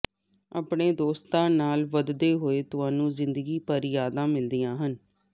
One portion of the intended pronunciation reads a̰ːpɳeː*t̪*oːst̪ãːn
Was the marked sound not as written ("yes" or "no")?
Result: yes